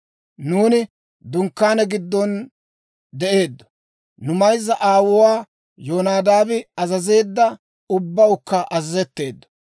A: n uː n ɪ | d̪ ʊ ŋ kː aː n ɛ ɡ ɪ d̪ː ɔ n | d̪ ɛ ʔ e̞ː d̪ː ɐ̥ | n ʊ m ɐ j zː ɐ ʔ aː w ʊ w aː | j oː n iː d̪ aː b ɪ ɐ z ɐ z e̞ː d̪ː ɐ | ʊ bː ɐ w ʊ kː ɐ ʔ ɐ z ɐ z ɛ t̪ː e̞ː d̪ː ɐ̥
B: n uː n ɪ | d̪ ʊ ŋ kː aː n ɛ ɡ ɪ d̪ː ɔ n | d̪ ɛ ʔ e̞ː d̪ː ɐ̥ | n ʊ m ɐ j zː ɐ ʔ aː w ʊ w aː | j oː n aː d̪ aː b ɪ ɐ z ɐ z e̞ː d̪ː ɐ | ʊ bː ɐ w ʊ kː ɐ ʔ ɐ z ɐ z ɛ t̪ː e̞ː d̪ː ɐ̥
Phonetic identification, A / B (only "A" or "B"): B